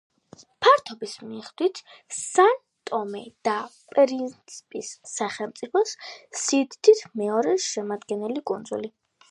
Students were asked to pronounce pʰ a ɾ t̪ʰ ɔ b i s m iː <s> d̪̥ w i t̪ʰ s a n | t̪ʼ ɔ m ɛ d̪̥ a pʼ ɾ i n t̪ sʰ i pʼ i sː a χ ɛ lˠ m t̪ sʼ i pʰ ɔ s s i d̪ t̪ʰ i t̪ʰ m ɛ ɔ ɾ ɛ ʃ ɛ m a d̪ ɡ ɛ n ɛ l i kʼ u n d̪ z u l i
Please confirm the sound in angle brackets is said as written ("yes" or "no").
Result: no